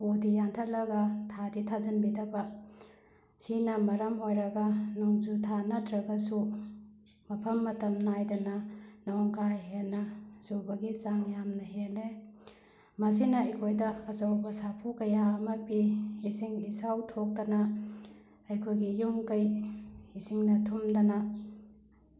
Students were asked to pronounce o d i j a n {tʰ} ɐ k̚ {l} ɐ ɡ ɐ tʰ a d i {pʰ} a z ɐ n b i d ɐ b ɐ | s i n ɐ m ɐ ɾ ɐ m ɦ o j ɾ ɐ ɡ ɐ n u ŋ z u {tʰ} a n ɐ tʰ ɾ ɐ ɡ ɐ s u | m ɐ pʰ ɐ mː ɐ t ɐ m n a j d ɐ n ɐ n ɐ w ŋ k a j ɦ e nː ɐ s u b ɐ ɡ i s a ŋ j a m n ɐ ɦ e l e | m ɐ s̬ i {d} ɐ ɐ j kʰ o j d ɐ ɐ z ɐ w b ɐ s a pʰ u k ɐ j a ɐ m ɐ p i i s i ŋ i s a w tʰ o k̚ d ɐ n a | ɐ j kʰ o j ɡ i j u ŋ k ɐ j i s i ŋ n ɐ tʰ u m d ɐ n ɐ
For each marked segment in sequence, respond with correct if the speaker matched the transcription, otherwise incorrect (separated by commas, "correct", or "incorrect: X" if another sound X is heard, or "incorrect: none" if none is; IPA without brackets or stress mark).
correct, correct, incorrect: tʰ, correct, incorrect: n